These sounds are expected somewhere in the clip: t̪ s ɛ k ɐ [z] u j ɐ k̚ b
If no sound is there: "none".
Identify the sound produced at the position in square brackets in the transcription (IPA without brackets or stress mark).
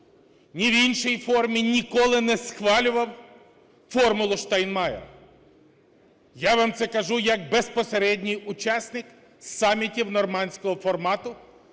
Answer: ʒ